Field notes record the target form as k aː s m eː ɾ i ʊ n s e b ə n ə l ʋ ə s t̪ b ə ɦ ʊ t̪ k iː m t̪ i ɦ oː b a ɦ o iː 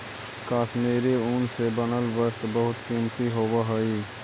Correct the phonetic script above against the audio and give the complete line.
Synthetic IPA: k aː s m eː ɾ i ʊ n s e b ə n ə l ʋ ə s t̪ b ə ɦ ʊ t̪ k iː m t̪ i ɦ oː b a ɦ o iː